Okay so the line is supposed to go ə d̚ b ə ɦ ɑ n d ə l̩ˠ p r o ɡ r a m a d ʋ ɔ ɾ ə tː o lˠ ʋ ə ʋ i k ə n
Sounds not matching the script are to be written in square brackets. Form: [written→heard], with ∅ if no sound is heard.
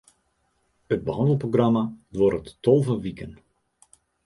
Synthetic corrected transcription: ə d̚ b ə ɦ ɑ n d ə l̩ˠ p r o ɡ r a m a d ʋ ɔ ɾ ə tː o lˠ [ʋ→v] ə ʋ i k ə n